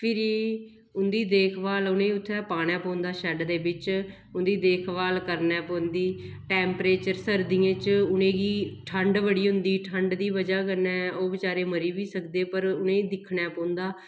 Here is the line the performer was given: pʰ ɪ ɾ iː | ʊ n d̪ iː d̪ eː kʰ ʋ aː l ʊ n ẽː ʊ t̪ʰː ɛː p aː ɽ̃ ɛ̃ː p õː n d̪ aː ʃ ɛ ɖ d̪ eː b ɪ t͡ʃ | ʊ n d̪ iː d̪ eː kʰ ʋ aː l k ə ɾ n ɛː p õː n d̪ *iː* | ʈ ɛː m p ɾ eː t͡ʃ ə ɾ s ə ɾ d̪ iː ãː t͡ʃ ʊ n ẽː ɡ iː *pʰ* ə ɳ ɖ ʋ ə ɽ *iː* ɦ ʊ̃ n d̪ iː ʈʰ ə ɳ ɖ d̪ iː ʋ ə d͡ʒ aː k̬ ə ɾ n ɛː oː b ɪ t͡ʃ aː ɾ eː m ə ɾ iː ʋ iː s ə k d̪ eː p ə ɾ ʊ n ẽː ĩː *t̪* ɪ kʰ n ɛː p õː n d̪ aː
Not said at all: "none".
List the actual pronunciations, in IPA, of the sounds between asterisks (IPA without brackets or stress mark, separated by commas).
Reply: iː, ʈʰ, iː, d̪